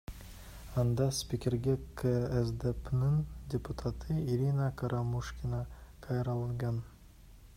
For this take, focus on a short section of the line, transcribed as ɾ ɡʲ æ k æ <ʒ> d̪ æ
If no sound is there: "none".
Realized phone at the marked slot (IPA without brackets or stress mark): z